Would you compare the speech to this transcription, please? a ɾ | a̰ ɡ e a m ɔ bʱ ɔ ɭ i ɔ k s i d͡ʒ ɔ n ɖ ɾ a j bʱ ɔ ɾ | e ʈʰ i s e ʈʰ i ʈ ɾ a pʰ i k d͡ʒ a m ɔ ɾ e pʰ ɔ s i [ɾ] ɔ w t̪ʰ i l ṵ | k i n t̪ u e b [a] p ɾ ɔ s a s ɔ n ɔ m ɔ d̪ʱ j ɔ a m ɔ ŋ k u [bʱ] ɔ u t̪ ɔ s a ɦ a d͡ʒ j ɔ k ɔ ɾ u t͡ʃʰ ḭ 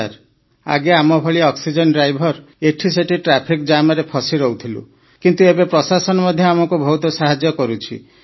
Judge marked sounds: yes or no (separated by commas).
yes, no, yes